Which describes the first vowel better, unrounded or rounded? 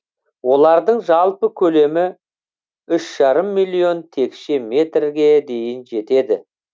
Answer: rounded